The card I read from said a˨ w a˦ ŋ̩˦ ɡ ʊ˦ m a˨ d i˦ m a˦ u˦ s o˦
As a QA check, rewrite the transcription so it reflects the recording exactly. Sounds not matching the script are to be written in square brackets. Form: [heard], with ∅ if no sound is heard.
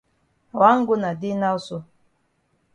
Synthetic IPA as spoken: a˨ w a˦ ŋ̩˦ ɡ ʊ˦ [n] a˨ d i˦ [n] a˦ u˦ s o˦